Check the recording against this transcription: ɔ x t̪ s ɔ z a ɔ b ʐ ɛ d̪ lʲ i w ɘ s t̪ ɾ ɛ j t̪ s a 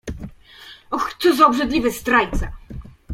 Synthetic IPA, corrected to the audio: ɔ x t̪ s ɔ z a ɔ b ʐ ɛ d̪ lʲ i v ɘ s t̪ ɾ a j t̪ s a